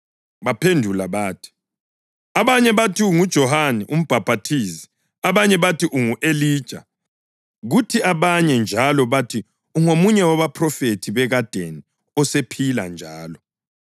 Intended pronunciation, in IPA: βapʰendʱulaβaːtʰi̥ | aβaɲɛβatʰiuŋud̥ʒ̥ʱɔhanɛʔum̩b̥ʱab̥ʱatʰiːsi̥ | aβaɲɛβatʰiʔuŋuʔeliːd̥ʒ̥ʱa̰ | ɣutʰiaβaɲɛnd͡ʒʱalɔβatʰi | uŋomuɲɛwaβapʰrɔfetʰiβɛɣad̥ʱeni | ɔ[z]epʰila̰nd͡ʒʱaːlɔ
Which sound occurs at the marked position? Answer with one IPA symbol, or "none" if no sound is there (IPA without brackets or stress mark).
s